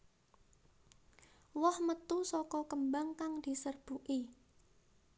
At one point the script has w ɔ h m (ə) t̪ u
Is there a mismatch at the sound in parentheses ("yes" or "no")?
no